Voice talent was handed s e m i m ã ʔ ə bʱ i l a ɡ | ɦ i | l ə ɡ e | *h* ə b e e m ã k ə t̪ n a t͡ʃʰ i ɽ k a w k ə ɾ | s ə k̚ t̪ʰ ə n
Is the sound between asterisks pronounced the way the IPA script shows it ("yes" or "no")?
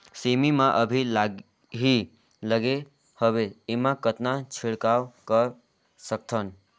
yes